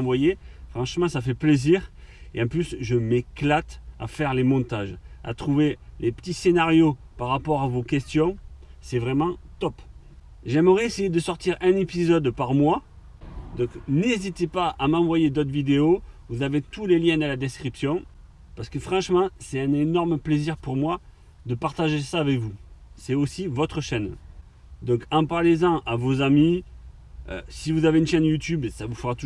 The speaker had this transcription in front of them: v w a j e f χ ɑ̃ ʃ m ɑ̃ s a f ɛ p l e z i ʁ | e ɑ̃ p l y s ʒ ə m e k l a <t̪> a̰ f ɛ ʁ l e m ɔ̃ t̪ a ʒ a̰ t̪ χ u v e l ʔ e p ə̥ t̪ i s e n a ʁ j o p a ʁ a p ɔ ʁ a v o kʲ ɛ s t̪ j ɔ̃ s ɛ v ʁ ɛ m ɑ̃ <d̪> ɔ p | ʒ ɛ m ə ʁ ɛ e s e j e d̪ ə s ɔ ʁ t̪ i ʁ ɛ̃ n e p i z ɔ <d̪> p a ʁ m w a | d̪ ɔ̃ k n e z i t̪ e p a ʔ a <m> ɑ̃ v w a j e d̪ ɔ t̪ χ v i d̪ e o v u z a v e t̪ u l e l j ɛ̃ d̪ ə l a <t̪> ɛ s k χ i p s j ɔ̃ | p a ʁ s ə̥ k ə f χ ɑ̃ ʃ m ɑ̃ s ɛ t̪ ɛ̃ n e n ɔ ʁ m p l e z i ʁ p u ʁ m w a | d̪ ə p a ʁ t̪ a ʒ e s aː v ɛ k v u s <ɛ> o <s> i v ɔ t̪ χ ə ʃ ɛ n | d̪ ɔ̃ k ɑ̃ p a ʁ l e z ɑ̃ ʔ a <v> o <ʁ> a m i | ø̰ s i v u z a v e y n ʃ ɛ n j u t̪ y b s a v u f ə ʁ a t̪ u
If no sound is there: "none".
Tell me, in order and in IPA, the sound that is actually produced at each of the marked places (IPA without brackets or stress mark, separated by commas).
t̪, t̪, d̪, m, d̪, ɛ, s, v, z